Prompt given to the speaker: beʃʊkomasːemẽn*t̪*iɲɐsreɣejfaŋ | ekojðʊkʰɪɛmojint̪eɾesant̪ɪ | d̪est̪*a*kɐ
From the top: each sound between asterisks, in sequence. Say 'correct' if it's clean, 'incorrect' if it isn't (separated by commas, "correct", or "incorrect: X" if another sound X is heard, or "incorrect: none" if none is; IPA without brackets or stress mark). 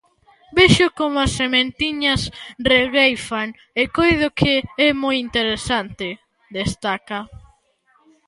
correct, correct